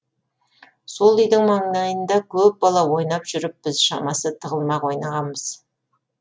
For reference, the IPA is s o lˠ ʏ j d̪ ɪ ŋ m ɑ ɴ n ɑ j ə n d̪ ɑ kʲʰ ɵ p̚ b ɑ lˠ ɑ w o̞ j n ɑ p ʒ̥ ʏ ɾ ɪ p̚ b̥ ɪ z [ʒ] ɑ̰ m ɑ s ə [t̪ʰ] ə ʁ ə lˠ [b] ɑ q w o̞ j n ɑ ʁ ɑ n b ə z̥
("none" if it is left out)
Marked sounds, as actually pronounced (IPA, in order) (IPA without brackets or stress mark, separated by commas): ʃ, t̪ʰ, m